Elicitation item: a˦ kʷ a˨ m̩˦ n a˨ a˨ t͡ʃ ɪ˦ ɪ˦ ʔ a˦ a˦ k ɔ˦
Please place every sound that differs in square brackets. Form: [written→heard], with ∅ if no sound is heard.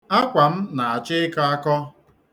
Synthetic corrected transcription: a˦ kʷ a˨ m̩˦ n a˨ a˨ t͡ʃ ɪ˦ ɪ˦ [ʔ→k] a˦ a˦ k ɔ˦